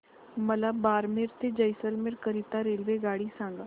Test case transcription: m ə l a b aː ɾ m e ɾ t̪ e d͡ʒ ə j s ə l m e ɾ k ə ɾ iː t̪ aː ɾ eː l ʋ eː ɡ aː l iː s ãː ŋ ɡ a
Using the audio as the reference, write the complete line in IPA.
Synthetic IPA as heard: m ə l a b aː ɾ m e ɾ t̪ e d͡ʒ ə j s ə l m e ɾ k ə ɾ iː t̪ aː ɾ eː l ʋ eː ɡ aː ɽ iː s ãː ŋ ɡ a

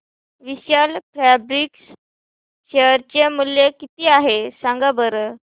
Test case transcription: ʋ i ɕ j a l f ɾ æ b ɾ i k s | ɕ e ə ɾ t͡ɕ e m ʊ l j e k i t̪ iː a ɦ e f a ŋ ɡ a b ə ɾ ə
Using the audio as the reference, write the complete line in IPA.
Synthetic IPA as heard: ʋ i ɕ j a l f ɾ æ b ɾ i k s | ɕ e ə ɾ t͡ɕ e m u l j e k i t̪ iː a ɦ e s a ŋ ɡ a b ə ɾ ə

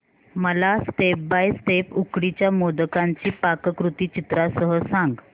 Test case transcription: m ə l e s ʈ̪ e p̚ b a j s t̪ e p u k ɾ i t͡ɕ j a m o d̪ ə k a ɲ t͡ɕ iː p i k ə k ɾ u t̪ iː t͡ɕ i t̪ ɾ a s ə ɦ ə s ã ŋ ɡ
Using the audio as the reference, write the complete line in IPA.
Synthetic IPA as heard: m ə l a s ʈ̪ e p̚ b a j s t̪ e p u k ɽ i t͡ɕ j a m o d̪ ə k a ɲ t͡ɕ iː p a k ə k ɾ u t̪ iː t͡ɕ i t̪ ɾ a s ə ɦ ə s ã ŋ ɡ

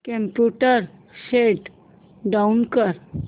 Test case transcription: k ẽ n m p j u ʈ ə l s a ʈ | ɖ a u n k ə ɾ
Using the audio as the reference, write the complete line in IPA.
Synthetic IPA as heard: k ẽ m p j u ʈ ə ɾ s e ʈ | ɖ a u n k ə ɾ

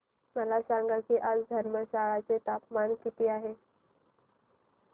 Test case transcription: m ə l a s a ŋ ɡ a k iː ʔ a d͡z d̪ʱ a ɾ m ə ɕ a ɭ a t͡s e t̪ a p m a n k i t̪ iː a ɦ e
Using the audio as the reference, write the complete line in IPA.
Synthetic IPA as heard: m ə l a s a ŋ ɡ a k iː ʔ a d͡z d̪ʱ ə ɾ m ə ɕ a ɭ a t͡s e t̪ a p m a n k i t̪ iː a ɦ e

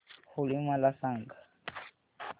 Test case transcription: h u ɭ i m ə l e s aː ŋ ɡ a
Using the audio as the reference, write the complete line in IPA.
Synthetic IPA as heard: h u l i m a l a s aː ŋ ɡ a

